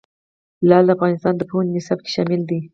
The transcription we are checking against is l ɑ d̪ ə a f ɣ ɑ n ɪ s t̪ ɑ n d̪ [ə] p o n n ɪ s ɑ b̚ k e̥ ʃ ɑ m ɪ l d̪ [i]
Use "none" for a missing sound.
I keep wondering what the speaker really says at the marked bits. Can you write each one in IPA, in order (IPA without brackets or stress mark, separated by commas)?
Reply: ə, i